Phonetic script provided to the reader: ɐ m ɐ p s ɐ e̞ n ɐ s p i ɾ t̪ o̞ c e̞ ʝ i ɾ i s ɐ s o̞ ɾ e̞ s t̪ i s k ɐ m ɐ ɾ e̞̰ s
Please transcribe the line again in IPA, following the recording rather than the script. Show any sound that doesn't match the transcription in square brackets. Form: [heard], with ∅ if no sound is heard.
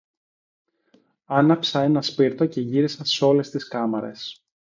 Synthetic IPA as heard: ɐ [n] ɐ p s ɐ e̞ n ɐ s p i ɾ t̪ o̞ c e̞ ʝ i ɾ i s ɐ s o̞ [l] e̞ s t̪ i s k ɐ m ɐ ɾ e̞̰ s